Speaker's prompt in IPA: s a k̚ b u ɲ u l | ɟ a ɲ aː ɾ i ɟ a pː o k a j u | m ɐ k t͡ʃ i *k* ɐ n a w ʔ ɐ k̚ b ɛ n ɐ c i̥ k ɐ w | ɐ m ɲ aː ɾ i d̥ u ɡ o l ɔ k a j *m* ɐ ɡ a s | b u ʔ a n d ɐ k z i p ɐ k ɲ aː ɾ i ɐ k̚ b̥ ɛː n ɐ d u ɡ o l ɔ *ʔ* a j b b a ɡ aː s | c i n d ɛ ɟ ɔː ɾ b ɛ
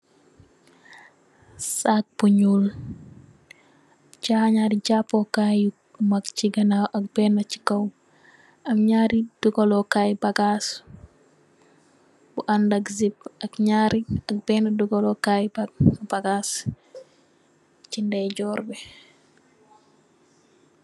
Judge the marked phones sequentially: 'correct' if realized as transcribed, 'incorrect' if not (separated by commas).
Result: incorrect, incorrect, incorrect